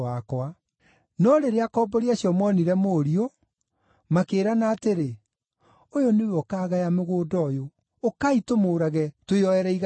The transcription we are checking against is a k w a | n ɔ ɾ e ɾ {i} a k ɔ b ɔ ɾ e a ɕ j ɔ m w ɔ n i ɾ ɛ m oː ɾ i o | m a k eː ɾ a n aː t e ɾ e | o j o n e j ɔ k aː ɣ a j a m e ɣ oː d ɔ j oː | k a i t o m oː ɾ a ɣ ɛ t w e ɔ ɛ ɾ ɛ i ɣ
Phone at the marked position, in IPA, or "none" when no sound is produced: e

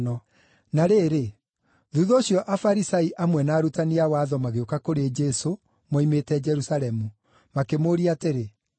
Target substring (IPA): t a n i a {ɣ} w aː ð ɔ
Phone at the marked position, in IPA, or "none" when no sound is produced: none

